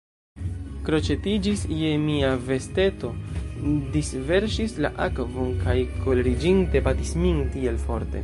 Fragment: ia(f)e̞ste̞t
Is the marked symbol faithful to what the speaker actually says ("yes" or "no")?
no